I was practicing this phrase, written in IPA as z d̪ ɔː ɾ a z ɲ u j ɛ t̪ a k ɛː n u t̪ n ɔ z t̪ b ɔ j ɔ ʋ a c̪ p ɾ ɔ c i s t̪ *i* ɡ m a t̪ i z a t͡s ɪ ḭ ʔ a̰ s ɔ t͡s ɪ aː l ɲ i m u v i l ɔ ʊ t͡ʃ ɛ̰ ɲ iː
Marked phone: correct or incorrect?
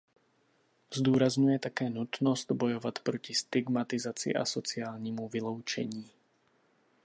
correct